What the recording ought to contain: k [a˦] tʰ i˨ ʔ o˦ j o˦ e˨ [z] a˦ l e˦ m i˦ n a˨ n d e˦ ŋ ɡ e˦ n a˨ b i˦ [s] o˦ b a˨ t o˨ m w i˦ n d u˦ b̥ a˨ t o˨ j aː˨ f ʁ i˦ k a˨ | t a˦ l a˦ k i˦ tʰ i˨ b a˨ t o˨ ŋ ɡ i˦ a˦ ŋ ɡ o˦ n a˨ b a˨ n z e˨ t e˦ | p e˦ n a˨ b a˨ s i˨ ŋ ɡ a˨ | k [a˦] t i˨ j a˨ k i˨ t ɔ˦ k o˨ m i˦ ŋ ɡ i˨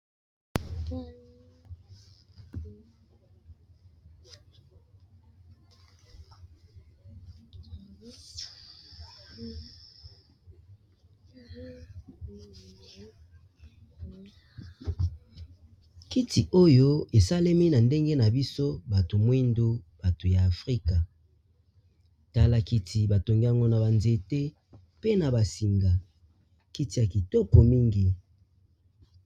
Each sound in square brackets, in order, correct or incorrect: incorrect, incorrect, correct, incorrect

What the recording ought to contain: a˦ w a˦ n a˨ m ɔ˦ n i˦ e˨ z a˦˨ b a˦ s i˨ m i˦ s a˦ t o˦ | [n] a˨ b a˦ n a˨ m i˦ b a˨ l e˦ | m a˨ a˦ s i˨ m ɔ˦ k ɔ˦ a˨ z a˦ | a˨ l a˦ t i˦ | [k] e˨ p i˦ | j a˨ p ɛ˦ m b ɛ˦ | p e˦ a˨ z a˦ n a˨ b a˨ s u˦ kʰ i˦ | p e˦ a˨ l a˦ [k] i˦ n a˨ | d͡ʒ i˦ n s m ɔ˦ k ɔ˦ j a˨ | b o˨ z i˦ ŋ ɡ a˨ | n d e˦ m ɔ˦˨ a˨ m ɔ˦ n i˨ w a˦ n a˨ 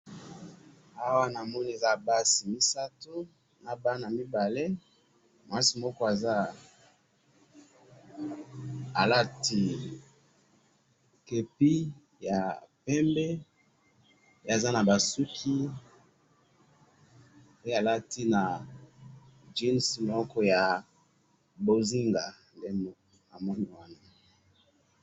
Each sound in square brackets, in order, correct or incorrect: correct, correct, incorrect

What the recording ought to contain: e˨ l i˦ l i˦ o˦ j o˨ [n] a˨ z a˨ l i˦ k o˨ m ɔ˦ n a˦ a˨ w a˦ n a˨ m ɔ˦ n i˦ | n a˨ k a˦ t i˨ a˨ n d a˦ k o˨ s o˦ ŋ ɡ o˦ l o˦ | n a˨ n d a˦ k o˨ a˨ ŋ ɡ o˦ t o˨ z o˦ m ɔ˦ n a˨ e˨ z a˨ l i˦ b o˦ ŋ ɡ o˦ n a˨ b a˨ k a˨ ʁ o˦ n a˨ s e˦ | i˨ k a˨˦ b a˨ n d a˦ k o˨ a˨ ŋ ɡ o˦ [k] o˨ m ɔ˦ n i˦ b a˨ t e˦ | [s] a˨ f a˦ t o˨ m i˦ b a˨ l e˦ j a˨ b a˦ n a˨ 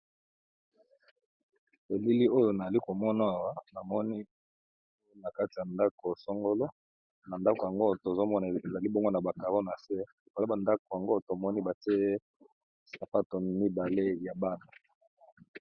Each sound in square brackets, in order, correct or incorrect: correct, incorrect, correct

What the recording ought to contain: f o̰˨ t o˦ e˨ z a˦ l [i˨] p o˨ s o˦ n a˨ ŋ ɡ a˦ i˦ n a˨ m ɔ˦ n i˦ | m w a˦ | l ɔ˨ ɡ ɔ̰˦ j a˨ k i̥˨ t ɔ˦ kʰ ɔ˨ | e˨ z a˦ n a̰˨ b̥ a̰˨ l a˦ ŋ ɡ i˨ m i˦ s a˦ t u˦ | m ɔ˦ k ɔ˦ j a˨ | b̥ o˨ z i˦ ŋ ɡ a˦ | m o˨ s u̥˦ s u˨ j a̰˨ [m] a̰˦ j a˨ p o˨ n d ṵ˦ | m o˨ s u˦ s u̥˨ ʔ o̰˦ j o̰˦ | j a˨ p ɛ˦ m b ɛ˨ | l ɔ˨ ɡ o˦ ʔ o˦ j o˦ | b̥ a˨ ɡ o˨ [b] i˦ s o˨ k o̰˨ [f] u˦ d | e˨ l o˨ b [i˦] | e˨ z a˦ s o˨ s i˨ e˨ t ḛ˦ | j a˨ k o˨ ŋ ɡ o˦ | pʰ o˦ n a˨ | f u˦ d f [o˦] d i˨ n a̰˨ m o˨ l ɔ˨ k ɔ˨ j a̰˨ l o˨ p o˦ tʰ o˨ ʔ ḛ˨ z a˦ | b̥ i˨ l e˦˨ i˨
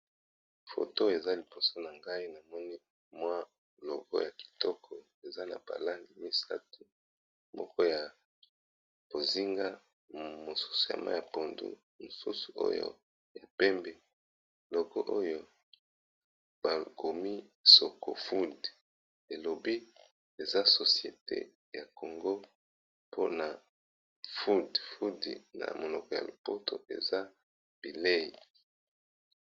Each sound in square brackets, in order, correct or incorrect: correct, correct, incorrect, correct, correct, incorrect

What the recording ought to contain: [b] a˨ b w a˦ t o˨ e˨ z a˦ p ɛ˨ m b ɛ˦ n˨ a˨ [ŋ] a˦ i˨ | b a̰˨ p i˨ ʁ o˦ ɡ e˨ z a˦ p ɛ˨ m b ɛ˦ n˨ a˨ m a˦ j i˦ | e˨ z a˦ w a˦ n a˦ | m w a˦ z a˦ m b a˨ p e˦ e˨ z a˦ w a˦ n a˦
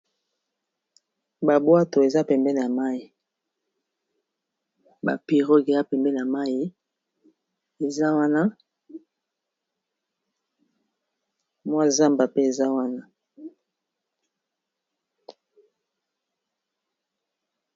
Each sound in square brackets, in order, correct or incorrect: correct, incorrect

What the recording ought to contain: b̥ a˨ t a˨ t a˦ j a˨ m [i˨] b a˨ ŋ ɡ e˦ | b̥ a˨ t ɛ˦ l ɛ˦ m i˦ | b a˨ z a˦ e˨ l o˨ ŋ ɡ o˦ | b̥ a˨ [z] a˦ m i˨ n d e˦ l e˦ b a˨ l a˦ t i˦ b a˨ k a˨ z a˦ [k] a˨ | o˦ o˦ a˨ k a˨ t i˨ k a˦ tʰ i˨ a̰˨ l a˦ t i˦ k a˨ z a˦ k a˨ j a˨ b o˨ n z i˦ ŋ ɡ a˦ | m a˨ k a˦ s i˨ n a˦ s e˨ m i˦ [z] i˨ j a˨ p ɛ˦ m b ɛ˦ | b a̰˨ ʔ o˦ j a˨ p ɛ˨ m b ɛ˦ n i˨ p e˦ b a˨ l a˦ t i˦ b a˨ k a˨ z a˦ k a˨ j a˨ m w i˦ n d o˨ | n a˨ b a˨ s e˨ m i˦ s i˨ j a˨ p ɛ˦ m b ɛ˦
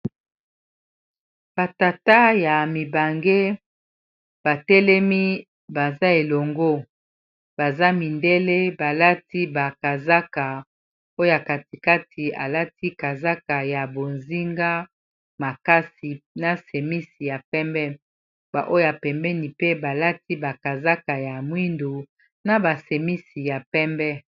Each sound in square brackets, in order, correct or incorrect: correct, correct, correct, incorrect

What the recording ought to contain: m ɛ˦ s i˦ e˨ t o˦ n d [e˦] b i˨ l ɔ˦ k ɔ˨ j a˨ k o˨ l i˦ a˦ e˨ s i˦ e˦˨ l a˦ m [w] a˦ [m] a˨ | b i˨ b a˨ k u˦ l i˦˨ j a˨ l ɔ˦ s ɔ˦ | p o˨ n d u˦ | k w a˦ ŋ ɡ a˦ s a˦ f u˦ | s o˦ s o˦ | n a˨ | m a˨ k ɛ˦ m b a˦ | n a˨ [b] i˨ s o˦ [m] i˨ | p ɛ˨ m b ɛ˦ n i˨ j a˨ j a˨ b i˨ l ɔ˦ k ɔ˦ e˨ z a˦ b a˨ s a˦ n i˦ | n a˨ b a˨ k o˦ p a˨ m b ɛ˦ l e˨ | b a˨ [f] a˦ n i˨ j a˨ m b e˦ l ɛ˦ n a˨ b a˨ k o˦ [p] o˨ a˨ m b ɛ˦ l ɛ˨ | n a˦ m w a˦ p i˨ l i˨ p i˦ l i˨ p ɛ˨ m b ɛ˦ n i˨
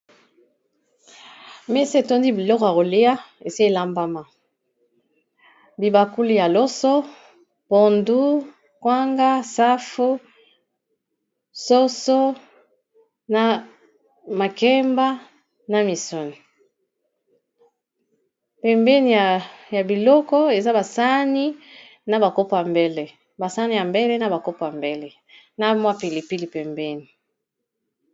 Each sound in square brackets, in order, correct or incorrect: incorrect, incorrect, correct, incorrect, incorrect, incorrect, correct

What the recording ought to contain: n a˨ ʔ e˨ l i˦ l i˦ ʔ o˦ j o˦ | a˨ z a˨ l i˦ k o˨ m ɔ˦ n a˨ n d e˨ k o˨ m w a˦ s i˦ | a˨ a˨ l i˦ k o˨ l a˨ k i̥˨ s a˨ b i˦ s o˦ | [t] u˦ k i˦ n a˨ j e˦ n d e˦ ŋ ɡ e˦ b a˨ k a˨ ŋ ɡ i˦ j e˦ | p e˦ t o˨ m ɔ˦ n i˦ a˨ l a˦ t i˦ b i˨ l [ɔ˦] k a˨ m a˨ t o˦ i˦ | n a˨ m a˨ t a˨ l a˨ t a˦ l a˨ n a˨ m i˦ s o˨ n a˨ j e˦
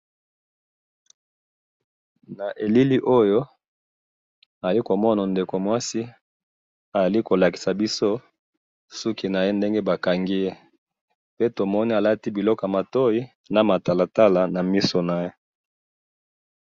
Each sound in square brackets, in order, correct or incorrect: incorrect, correct

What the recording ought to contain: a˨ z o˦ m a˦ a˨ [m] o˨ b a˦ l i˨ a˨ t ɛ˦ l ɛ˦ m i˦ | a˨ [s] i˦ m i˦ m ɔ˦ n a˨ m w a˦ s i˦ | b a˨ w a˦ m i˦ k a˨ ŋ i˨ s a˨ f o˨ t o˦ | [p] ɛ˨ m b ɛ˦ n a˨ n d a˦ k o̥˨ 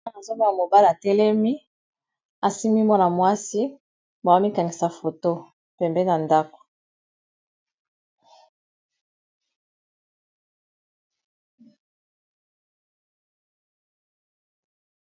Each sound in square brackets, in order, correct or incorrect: correct, correct, correct

